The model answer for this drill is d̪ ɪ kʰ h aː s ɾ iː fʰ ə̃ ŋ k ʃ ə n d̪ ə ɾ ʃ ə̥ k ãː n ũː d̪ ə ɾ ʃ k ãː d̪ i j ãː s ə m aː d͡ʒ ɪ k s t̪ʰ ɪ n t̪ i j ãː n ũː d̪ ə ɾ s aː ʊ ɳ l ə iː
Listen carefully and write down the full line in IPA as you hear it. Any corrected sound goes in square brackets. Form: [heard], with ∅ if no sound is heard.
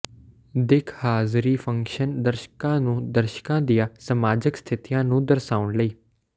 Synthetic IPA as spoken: d̪ ɪ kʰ h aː [z] ɾ iː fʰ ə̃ ŋ k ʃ ə n d̪ ə ɾ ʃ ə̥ k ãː n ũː d̪ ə ɾ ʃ k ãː d̪ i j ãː s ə m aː d͡ʒ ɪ k s t̪ʰ ɪ [∅] t̪ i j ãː n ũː d̪ ə ɾ s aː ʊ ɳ l ə iː